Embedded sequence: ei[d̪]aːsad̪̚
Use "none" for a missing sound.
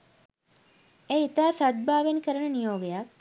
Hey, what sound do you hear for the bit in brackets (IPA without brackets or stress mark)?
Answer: t̪